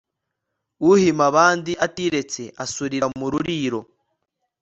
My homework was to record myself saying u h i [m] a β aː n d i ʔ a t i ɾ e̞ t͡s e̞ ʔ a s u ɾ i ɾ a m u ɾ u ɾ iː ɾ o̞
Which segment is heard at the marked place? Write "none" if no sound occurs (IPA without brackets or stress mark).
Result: m